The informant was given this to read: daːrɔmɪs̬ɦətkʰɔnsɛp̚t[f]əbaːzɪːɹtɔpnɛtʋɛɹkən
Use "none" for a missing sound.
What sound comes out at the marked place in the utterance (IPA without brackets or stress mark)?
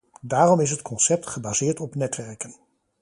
χ